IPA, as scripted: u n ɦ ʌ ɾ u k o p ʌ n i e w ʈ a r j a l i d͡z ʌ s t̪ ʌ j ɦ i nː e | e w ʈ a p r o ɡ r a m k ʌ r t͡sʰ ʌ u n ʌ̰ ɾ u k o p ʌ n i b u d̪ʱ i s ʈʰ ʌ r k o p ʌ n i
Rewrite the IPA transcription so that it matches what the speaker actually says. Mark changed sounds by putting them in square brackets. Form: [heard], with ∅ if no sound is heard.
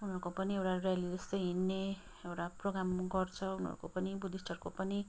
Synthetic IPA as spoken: u n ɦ ʌ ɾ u k o p ʌ n i e w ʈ a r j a l i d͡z ʌ s t̪ ʌ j ɦ i nː e | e w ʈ a p r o ɡ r a m [ɡ] ʌ r t͡sʰ ʌ u n ʌ̰ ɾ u k o p ʌ n i b u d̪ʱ i s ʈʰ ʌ r k o p ʌ n i